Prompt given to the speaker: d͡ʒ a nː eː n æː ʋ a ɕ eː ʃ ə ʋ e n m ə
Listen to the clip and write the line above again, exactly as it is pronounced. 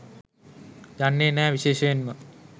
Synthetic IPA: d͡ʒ a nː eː n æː ʋ i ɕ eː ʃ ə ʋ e n m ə

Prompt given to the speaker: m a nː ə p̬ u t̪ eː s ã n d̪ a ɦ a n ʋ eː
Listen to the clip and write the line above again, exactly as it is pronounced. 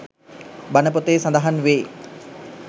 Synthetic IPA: b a n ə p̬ o t̪ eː s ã n d̪ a ɦ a n ʋ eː

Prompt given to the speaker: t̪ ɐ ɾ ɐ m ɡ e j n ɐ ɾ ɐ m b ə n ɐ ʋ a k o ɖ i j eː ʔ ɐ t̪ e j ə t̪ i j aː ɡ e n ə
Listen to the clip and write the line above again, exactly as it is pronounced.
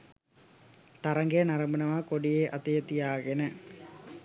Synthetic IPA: t̪ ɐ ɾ ɐ ŋ ɡ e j n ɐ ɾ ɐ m b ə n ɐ ʋ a k o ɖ i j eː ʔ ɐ t̪ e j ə t̪ i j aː ɡ e n ə

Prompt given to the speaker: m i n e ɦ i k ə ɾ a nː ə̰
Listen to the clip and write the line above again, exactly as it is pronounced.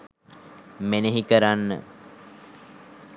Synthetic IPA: m e n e ɦ i k ə ɾ a nː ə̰

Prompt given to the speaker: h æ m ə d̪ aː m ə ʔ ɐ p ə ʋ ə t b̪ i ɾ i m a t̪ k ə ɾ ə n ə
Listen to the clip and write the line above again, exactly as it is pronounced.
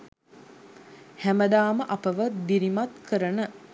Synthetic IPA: h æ m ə d̪ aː m ə ʔ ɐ p ə ʋ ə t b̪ i ɾ i m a t̪ k ə ɾ ə n ə

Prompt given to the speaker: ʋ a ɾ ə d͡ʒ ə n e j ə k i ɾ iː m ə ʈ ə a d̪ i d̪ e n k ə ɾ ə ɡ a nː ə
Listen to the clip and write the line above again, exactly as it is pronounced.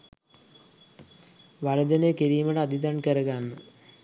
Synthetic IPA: ʋ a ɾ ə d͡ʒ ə n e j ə k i ɾ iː m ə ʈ ə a d̪ i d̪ a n k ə ɾ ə ɡ a nː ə

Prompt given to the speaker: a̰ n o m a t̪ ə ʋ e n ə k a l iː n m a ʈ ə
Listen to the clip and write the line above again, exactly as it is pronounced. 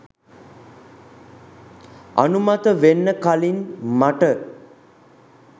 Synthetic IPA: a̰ n u m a t̪ ə ʋ e nː ə k a l i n m a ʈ ə

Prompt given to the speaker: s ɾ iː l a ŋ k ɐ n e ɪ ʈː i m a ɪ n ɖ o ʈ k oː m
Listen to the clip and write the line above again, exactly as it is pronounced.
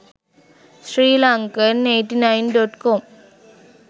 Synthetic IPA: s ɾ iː l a ŋ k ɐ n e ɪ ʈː i n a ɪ n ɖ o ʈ k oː m

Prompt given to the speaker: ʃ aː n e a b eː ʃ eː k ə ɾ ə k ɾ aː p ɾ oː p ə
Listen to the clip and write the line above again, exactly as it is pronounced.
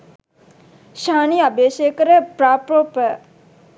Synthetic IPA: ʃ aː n i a b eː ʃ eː k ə ɾ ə p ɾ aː p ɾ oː p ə

